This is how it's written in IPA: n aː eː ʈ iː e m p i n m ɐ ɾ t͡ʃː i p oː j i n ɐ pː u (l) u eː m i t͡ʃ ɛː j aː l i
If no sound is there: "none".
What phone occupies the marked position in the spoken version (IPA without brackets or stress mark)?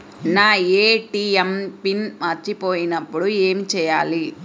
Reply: ɽ